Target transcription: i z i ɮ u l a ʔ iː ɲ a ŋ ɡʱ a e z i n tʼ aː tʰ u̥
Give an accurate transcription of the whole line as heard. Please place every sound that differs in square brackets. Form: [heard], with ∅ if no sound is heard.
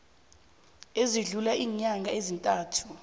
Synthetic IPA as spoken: [e] z i ɮ u l a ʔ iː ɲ a ŋ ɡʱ a e z i n tʼ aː tʰ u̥